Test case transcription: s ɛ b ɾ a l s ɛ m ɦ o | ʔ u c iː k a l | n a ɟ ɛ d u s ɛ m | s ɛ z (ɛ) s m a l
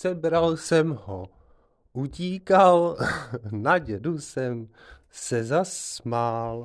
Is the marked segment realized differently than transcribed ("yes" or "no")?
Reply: yes